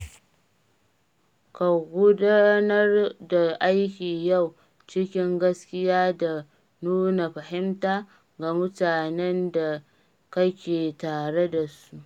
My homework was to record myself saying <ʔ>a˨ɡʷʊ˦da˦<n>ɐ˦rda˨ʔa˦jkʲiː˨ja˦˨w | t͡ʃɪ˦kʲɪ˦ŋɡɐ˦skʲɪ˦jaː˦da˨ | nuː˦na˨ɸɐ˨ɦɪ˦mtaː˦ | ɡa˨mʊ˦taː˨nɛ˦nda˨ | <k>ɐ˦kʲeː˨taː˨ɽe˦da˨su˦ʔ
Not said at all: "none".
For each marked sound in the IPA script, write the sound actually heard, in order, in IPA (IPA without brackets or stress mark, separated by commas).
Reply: k, n, k